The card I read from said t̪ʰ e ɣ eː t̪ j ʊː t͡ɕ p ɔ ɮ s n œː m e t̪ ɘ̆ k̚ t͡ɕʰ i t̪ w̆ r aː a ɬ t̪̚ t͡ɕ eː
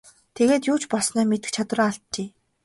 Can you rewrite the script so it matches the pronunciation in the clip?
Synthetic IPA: t̪ʰ e ɣ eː t̪ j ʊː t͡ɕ p ɔ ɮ s n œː m e t̪ ɘ̆ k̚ t͡ɕʰ a t̪ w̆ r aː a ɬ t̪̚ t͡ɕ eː